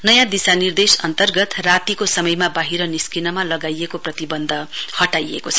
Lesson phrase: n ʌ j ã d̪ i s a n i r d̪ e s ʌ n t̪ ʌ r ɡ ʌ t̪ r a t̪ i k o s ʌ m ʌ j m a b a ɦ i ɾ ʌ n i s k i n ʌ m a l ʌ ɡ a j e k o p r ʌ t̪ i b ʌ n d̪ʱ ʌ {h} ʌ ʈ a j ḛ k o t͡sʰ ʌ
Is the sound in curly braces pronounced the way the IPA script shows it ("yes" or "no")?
yes